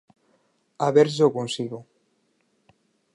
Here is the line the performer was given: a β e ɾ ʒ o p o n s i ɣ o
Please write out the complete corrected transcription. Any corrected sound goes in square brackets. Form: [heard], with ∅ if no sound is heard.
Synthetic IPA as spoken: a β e ɾ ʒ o [k] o n s i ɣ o